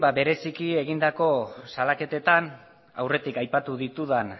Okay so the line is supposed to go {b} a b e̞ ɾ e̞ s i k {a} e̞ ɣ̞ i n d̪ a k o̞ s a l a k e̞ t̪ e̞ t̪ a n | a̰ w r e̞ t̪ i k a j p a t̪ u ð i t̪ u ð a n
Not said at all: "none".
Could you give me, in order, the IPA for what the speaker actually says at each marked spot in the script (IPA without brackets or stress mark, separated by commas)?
b, i